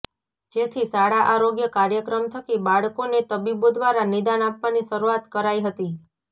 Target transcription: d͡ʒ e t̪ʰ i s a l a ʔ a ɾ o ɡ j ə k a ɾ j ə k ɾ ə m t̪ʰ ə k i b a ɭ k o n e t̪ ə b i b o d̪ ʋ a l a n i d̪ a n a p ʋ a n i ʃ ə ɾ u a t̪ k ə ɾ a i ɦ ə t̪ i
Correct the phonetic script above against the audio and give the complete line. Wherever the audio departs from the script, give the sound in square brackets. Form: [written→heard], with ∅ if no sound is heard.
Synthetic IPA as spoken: d͡ʒ e t̪ʰ i s a [l→ɽ] a ʔ a ɾ o ɡ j ə k a ɾ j ə k ɾ ə m t̪ʰ ə k i b a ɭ k o n e t̪ ə b i b o d̪ ʋ a [l→ɾ] a n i d̪ a n a p ʋ a n i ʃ ə ɾ u a t̪ k ə ɾ a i ɦ ə t̪ i